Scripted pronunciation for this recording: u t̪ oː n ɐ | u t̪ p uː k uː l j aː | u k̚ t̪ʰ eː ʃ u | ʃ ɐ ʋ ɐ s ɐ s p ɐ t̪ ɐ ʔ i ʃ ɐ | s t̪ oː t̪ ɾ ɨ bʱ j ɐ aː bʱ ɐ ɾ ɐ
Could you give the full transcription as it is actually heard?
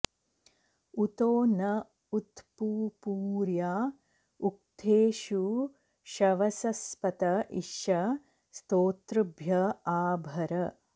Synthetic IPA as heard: u t̪ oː n ɐ | u t̪ p uː p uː ɾ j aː | u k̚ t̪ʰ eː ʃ u | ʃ ɐ ʋ ɐ s ɐ s p ɐ t̪ ɐ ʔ i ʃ ɐ | s t̪ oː t̪ ɾ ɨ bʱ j ɐ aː bʱ ɐ ɾ ɐ